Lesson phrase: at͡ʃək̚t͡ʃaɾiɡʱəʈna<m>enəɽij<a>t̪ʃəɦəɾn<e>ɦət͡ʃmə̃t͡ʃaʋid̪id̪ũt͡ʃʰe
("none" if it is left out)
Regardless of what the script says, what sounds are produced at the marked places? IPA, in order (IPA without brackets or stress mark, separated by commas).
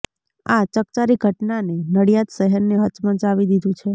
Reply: n, a, e